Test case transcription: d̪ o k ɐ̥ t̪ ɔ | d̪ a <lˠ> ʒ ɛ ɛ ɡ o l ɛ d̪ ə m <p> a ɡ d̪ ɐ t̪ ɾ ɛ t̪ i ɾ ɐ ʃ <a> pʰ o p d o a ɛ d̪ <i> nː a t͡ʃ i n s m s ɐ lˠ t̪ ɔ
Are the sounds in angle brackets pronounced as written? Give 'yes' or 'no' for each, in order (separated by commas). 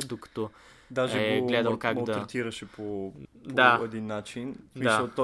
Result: no, no, no, yes